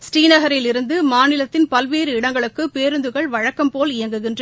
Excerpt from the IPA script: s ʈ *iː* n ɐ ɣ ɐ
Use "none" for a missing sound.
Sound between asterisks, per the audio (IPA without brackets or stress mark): iː